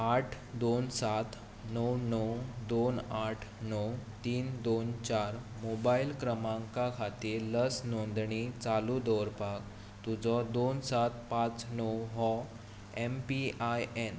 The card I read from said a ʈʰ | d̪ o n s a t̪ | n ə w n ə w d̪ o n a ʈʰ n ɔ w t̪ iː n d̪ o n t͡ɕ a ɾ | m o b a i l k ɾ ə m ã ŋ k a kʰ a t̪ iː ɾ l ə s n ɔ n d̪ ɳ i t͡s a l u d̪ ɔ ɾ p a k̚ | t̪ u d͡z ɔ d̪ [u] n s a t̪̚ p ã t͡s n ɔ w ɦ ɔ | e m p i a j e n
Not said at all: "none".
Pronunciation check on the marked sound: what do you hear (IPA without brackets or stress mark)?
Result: o